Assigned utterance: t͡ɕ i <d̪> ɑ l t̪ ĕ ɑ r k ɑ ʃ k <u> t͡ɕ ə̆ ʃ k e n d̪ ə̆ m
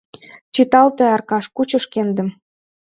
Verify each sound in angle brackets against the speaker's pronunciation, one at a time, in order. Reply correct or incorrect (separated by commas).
incorrect, correct